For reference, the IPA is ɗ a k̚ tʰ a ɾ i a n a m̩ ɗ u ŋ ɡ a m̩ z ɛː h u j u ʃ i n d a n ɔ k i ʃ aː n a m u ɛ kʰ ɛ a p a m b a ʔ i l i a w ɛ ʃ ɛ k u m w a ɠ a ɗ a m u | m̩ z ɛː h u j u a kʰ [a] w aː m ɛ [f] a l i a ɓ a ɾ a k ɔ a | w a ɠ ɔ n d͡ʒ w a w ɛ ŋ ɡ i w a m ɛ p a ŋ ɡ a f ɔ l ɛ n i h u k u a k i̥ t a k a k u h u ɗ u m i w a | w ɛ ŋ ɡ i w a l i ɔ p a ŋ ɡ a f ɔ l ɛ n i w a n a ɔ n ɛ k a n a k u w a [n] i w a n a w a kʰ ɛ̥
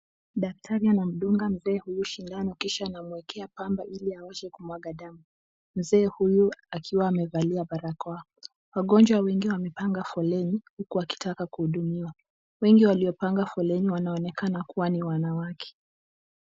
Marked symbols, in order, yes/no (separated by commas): no, no, yes